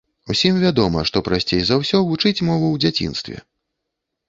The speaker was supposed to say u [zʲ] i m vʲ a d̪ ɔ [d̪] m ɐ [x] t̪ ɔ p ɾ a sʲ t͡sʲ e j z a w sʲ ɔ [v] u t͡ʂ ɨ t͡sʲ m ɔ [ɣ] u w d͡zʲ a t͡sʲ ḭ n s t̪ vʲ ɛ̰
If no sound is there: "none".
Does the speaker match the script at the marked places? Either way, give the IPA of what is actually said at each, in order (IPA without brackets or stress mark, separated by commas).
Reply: sʲ, none, ʂ, v, v